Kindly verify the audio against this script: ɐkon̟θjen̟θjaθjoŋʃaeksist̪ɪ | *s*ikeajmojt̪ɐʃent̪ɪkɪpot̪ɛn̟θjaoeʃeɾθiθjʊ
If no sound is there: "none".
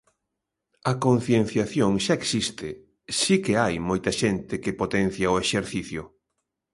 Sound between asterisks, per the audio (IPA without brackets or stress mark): s